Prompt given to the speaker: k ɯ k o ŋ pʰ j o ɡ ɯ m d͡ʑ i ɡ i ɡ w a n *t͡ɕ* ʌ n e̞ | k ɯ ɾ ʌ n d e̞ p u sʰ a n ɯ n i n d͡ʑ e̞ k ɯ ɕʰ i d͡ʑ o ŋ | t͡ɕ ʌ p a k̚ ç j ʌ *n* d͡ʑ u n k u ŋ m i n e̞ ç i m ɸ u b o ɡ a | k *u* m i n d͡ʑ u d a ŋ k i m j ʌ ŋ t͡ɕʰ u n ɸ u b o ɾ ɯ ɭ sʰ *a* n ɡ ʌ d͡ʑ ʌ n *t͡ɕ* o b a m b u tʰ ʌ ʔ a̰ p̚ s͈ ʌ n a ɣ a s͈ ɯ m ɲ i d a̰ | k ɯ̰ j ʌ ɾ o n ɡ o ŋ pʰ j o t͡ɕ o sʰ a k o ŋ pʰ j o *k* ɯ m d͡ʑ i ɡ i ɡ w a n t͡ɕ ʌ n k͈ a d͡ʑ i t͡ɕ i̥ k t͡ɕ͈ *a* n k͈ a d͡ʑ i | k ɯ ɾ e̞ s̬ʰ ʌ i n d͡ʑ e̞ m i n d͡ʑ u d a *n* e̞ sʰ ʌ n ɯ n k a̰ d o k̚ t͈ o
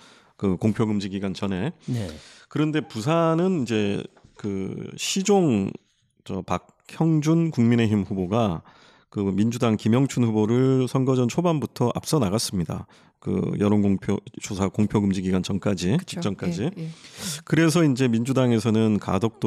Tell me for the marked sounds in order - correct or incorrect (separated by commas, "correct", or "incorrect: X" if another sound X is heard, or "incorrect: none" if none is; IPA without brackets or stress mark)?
correct, incorrect: ŋ, incorrect: ɯ, incorrect: ʌ, incorrect: t͡ɕʰ, incorrect: ɡ, incorrect: ʌ, incorrect: ŋ